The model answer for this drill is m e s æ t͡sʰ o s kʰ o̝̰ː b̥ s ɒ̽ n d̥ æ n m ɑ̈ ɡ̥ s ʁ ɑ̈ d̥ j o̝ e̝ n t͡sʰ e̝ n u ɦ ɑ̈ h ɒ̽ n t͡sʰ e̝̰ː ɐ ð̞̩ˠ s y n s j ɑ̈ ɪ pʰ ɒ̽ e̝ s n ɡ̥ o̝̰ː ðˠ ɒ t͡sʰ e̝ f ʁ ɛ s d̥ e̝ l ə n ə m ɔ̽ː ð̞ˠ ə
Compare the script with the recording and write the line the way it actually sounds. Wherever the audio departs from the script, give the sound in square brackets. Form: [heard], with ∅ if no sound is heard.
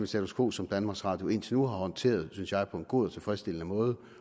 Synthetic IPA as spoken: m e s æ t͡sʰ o s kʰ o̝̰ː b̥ s ɒ̽ [m] d̥ æ n m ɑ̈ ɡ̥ s ʁ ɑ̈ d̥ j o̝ e̝ n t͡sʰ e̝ n u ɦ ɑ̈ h ɒ̽ n t͡sʰ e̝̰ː ɐ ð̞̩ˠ s y n s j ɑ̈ ɪ pʰ ɒ̽ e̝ [∅] n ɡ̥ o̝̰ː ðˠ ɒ t͡sʰ e̝ f ʁ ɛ s d̥ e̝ l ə n ə m ɔ̽ː ð̞ˠ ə